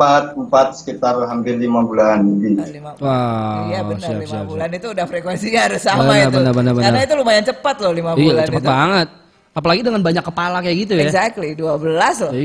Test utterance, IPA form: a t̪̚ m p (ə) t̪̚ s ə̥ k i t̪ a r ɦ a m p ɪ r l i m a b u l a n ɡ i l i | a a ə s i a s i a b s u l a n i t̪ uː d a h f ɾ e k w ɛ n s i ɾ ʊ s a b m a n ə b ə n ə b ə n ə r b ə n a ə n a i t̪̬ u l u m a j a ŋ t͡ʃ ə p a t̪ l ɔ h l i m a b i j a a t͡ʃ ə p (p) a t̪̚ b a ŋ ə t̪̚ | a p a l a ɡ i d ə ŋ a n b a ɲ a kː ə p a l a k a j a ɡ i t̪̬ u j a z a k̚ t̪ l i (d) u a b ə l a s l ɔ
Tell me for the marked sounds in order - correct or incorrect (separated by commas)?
incorrect, correct, correct